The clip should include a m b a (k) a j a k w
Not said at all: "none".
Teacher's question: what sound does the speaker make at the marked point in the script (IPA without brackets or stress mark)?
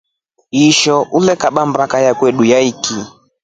k